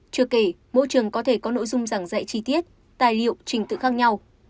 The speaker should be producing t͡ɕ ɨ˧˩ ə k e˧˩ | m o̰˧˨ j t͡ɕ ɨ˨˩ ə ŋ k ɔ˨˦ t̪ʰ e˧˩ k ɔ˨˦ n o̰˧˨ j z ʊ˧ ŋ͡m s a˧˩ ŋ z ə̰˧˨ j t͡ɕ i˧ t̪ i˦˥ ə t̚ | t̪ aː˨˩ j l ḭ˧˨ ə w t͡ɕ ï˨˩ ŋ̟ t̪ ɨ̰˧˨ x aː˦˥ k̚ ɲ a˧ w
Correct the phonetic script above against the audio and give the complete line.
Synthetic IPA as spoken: t͡ɕ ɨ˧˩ ə k e˧˩ | m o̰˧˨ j t͡ɕ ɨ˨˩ ə ŋ k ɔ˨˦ t̪ʰ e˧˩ k ɔ˨˦ n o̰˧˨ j z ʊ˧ ŋ͡m z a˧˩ ŋ z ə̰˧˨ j t͡ɕ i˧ t̪ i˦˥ ə t̚ | t̪ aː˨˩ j l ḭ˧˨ ə w t͡ɕ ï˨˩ ŋ̟ t̪ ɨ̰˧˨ x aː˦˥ k̚ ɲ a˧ w